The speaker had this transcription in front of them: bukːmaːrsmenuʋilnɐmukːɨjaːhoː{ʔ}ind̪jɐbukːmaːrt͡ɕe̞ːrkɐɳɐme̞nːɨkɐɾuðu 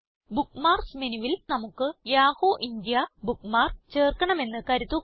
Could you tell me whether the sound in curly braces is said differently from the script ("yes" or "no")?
no